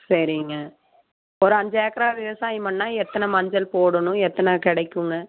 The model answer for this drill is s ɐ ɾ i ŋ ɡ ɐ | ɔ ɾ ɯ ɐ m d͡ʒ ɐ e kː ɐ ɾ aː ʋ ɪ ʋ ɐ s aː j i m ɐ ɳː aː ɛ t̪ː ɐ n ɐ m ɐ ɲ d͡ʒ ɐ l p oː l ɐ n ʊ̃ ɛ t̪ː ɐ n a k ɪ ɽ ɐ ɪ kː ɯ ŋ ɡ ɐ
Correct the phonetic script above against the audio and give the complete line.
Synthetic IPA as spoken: s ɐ ɾ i ŋ ɡ ɐ | ɔ ɾ ɯ ɐ ɲ d͡ʒ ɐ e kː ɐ ɾ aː ʋ ɪ ʋ ɐ s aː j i m ɐ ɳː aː ɛ t̪ː ɐ n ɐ m ɐ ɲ d͡ʒ ɐ l p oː ɽ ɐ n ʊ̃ ɛ t̪ː ɐ n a k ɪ ɽ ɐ ɪ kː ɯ ŋ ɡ ɐ